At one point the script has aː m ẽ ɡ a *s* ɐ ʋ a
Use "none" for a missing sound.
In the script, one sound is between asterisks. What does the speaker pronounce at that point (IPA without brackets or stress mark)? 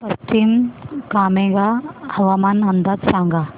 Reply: h